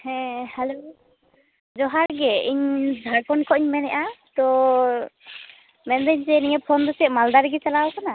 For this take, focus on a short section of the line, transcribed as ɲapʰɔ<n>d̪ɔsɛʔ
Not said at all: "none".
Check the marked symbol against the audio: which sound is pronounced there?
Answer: n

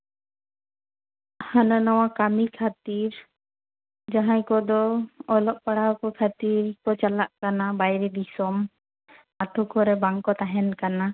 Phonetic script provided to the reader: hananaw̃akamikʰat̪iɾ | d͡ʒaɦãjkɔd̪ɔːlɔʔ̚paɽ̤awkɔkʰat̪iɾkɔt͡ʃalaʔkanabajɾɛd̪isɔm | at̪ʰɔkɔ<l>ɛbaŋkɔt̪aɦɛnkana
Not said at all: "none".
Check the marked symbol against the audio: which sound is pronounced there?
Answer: ɾ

